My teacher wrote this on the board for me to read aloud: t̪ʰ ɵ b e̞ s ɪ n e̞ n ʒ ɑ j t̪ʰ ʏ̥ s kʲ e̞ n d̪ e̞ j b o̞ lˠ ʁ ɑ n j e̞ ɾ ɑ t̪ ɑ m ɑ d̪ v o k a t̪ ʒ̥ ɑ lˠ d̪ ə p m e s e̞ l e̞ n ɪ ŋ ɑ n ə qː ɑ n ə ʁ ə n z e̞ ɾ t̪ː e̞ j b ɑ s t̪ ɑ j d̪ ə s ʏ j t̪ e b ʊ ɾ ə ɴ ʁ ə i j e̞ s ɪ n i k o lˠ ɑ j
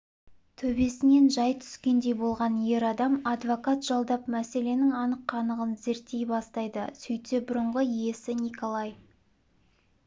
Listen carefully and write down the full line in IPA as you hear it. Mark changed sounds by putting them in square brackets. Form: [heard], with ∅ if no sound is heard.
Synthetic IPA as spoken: t̪ʰ ɵ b e̞ s ɪ n e̞ n ʒ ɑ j t̪ʰ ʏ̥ s kʲ e̞ n d̪ e̞ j b o̞ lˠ ʁ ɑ n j e̞ ɾ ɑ [d̪] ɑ m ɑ d̪ v o k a t̪ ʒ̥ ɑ lˠ d̪ [ɑ] p m [æ] s e̞ l e̞ n ɪ ŋ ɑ n ə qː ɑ n ə ʁ ə n z e̞ ɾ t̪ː e̞ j b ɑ s t̪ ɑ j d̪ ə s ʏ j t̪ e b ʊ ɾ ə ɴ ʁ ə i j e̞ s ɪ n i k o lˠ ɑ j